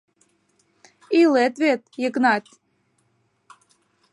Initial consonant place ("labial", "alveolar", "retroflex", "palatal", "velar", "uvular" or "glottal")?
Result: alveolar